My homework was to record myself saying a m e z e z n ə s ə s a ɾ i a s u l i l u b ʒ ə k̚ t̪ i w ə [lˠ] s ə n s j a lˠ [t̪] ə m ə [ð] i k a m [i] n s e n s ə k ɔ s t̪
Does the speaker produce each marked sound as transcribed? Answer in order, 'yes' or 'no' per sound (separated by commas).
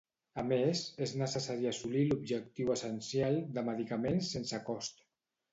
no, no, yes, no